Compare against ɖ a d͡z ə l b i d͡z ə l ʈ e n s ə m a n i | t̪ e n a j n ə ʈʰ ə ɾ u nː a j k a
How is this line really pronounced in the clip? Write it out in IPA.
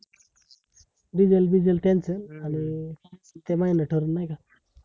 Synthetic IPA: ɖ i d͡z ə l b i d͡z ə l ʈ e n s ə n a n i | t̪ e m a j n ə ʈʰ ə ɾ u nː a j k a